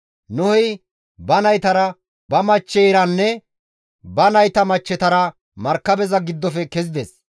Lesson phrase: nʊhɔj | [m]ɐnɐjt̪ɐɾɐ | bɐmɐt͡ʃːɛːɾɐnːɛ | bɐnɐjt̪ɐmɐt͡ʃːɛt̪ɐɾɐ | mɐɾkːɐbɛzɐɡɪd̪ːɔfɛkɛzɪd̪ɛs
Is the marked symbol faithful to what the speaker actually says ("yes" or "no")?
no